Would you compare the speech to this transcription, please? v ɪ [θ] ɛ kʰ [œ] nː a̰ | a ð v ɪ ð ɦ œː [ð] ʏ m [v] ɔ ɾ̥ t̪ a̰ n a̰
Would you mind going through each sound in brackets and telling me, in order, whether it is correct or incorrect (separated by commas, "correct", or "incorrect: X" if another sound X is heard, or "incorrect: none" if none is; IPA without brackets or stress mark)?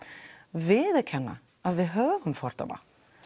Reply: incorrect: ð, incorrect: ɛ, incorrect: v, incorrect: f